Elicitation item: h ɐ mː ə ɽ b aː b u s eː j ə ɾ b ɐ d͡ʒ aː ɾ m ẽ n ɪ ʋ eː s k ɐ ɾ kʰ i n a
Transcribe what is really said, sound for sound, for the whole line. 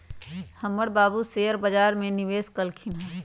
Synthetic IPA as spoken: h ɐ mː ə ɽ b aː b u s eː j ə ɾ b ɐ d͡ʒ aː ɾ m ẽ n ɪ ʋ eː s k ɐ l kʰ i n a